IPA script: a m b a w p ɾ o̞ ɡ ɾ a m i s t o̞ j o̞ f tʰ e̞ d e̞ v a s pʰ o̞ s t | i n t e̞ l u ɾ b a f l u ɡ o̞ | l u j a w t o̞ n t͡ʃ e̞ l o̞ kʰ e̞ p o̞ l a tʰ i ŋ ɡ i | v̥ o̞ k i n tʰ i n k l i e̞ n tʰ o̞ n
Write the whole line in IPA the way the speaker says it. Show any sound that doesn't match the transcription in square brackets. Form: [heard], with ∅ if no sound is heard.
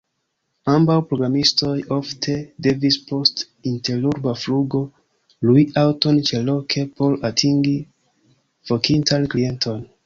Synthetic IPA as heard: a m b a w p ɾ o̞ ɡ ɾ a m i s t o̞ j o̞ f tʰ e̞ d e̞ v [i] s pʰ o̞ s t | i n t e̞ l u ɾ b a f l u ɡ o̞ | l u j a w t o̞ n t͡ʃ e̞ l o̞ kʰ e̞ p o̞ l a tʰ i ŋ ɡ i | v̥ o̞ k i n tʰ [a] n k l i e̞ n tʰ o̞ n